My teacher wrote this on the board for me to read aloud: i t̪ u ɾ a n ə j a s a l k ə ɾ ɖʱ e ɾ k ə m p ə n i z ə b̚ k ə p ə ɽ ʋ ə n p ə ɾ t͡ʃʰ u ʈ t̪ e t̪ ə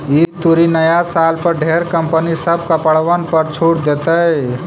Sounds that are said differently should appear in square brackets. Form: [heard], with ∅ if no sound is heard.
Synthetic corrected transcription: i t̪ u ɾ [i] n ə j a s a l [p] ə ɾ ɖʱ e ɾ k ə m p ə n i [s] ə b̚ k ə p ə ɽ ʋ ə n p ə ɾ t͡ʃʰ u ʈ [d̪] e t̪ ə